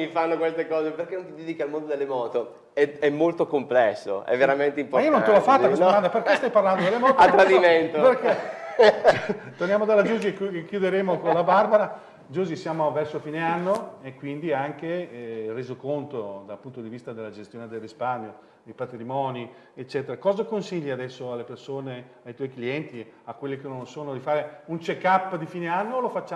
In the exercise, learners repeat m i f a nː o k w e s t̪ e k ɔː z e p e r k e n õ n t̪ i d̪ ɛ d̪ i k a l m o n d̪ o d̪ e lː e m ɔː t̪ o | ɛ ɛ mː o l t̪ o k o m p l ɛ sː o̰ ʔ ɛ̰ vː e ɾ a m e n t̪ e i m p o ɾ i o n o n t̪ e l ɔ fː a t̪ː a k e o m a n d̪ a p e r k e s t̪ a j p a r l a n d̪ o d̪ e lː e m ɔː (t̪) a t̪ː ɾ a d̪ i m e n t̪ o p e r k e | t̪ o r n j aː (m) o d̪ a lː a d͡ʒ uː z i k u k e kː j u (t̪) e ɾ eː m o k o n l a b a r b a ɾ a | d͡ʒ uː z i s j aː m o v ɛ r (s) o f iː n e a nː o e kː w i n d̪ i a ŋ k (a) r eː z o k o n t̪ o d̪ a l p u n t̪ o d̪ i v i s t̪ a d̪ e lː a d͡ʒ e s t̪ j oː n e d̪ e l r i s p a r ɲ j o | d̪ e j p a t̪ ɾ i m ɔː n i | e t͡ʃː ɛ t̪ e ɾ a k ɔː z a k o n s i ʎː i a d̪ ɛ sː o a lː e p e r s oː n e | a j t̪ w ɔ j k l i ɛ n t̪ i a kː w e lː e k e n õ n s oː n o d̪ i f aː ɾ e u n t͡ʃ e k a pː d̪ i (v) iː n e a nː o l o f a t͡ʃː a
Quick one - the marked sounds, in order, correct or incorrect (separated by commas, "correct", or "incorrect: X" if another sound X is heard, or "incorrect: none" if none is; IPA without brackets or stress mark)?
correct, correct, incorrect: d̪, correct, incorrect: e, incorrect: f